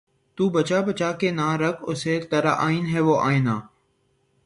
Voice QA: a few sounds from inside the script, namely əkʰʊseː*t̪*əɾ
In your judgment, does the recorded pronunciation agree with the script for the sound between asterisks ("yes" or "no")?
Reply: yes